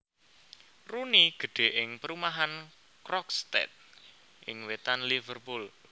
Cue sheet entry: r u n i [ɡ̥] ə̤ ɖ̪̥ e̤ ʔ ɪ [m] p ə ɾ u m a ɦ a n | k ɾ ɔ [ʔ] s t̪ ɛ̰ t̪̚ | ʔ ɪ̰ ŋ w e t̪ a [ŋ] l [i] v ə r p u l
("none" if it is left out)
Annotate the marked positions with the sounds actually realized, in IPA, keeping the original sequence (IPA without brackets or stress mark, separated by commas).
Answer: ɡ̥, ŋ, k, n, i